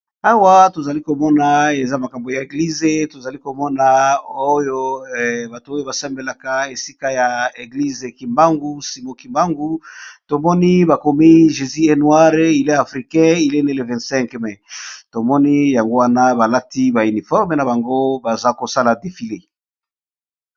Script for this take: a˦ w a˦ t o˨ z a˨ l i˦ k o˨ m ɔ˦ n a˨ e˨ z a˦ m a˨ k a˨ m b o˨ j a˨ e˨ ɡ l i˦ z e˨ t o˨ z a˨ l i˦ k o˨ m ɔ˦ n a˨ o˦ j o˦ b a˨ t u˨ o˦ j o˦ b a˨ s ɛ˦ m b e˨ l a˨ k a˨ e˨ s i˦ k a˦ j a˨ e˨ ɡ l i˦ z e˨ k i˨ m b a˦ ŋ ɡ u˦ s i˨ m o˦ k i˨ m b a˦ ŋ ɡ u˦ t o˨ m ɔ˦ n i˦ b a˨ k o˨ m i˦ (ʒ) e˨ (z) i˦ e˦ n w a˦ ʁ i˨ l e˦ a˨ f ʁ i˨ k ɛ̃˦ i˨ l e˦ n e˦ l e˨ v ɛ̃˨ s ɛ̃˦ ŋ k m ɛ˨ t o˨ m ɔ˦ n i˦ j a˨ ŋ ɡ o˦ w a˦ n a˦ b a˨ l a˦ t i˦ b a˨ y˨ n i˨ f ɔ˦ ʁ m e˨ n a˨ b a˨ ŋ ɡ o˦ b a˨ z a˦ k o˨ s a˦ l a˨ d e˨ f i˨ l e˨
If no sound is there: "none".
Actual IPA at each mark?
ʒ, z

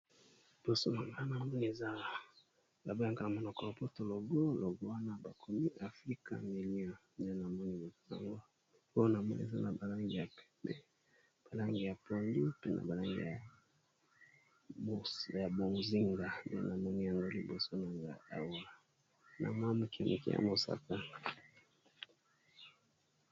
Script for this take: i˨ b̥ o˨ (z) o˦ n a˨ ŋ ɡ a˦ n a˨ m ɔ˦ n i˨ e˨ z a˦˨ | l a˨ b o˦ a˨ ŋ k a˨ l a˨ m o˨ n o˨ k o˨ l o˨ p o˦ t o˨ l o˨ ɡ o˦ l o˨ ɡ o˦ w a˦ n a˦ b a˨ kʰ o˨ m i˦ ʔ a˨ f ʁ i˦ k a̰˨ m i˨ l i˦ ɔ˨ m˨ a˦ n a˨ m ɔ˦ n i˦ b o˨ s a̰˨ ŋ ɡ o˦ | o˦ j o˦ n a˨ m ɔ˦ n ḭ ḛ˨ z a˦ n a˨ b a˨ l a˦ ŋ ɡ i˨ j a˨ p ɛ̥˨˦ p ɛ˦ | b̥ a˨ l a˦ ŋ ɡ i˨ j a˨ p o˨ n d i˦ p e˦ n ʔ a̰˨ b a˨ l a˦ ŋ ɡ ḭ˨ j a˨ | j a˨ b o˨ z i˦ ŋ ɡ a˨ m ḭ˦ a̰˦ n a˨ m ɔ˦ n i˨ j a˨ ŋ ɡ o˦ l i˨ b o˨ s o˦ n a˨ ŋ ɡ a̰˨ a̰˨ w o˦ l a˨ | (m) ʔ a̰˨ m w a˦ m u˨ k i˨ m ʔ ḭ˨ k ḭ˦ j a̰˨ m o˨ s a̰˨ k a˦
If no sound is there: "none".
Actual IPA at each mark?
s, n

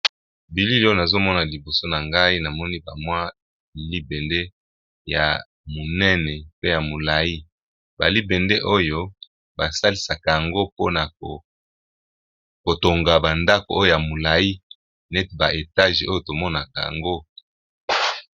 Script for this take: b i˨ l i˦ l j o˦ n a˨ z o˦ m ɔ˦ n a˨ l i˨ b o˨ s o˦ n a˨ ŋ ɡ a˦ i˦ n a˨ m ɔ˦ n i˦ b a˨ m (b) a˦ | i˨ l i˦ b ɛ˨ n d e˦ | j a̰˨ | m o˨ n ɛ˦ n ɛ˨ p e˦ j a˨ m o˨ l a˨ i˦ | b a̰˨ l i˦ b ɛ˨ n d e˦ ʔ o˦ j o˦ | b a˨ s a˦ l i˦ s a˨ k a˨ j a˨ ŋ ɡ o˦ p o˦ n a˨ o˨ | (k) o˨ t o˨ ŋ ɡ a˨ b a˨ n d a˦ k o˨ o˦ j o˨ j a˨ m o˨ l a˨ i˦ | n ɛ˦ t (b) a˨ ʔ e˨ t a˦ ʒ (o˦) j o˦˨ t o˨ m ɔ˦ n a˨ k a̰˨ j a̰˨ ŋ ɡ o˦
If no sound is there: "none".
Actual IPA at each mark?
w, k, b, o˦

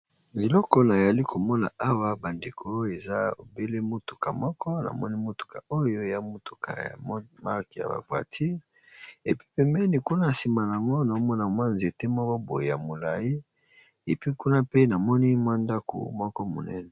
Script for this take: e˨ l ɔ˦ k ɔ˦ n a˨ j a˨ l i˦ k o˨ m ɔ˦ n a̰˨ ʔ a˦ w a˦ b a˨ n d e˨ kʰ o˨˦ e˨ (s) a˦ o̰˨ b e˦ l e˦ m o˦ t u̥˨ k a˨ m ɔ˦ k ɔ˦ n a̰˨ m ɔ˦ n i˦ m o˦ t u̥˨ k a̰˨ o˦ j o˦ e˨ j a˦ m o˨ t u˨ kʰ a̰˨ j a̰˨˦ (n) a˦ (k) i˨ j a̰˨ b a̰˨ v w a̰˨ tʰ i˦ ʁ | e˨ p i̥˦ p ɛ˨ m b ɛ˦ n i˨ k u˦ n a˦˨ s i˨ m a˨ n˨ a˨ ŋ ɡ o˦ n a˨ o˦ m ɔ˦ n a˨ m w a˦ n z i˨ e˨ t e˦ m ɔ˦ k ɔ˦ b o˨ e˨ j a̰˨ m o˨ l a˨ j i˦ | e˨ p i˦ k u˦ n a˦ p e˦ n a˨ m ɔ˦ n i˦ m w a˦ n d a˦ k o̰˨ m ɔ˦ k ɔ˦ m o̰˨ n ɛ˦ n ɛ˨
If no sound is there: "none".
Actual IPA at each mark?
z, m, k

